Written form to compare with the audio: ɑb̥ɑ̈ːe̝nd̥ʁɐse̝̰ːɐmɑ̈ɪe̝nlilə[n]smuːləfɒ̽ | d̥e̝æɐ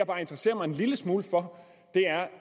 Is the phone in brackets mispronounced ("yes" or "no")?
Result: yes